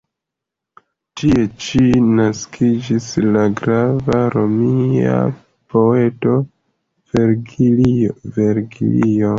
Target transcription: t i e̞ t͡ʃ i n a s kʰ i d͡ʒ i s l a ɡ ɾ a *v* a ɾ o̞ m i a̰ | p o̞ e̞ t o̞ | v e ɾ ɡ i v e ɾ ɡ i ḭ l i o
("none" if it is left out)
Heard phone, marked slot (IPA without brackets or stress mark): v